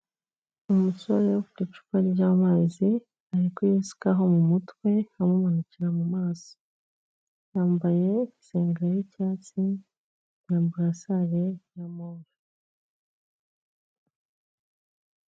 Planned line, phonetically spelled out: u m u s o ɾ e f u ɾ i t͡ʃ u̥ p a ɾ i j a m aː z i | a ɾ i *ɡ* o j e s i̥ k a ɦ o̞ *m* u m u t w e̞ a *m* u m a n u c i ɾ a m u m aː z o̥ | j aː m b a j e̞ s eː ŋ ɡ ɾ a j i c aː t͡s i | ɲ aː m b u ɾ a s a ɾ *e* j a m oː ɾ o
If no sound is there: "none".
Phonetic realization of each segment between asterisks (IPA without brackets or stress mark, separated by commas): k, m, m, e